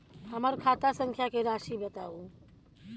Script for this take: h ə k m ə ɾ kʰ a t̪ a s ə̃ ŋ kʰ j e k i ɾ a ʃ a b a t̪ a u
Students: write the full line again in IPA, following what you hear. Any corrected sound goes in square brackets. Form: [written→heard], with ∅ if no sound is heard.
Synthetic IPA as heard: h ə [k→∅] m ə ɾ kʰ a t̪ a s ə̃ ŋ kʰ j [e→a] k [i→e] ɾ a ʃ [a→i] b [a→ə] t̪ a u